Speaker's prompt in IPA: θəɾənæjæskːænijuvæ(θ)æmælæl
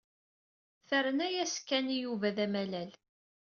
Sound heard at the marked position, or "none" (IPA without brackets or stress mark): ð